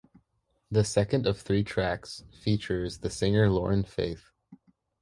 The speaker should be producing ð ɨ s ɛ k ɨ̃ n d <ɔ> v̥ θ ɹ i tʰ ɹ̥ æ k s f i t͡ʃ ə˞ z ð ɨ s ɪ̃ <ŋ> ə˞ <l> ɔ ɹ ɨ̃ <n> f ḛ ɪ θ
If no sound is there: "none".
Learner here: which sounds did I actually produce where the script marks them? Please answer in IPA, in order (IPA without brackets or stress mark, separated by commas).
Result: ʌ, ŋ, l, n